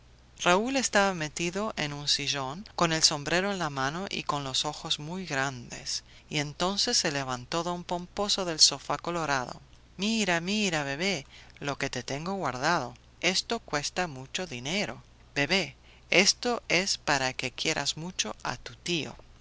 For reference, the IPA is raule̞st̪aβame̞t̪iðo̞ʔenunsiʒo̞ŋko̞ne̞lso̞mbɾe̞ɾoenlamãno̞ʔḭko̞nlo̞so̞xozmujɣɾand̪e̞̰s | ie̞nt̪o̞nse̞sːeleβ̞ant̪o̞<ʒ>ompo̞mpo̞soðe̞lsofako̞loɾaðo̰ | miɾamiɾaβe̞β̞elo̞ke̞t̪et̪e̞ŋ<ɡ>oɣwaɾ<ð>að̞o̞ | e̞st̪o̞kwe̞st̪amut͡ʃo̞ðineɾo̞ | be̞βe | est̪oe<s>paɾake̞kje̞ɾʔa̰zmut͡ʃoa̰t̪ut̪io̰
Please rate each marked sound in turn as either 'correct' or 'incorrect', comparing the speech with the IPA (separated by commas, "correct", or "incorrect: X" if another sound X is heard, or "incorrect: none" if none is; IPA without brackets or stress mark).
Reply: incorrect: ð, correct, correct, correct